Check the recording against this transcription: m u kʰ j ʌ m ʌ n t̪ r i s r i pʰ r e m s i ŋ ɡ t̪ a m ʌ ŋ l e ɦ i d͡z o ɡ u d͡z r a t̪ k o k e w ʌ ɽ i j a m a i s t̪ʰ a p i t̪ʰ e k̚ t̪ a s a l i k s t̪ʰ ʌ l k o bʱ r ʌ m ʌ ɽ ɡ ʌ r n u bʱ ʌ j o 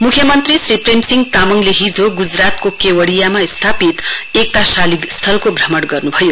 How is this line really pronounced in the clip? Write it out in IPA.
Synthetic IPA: m u kʰ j ʌ m ʌ n t̪ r i s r i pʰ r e m s i ŋ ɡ t̪ a m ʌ ŋ l e ɦ i d͡z o ɡ u d͡z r a t̪ k o k e w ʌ ɽ i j a m a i s t̪ʰ a p i t̪ e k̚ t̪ a s a l i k s t̪ʰ ʌ l k o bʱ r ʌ m ʌ ɽ ɡ ʌ r n u bʱ ʌ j o